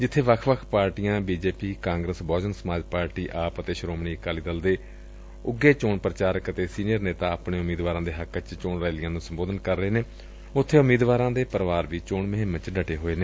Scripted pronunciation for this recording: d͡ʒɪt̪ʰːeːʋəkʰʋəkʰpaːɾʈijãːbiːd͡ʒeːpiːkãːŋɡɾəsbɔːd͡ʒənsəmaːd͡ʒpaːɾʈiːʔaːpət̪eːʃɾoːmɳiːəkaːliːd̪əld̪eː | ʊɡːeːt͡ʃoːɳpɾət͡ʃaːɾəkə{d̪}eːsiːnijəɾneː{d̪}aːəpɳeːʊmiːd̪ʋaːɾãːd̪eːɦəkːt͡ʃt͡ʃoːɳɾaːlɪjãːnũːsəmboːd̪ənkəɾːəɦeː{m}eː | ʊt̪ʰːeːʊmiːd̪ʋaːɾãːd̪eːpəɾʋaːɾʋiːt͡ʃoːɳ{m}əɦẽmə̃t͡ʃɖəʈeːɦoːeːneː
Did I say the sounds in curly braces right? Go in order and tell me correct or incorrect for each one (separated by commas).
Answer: incorrect, incorrect, incorrect, correct